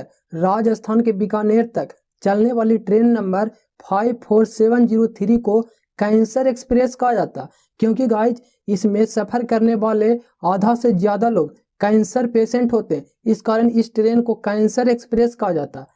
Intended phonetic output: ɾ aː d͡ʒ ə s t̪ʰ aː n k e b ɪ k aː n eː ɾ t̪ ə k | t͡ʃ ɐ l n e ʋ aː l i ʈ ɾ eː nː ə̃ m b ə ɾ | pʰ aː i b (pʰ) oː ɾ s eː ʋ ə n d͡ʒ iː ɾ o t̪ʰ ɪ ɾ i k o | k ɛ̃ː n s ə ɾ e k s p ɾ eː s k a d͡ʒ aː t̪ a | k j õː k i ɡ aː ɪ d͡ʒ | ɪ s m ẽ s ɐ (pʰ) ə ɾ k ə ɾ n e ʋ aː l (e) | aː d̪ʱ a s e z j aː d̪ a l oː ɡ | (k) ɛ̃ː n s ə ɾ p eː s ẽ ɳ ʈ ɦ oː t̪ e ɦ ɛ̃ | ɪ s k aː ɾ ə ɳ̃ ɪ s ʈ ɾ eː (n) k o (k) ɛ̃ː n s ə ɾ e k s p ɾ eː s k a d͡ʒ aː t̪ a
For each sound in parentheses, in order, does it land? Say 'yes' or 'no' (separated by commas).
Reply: yes, yes, yes, yes, yes, yes